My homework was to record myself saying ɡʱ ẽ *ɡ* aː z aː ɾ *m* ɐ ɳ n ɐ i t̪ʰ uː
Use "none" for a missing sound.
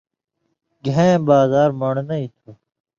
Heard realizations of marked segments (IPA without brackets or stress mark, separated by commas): b, m